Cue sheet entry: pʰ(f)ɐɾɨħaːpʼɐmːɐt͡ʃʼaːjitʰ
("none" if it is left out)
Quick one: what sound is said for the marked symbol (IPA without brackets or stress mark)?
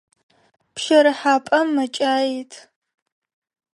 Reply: ʃ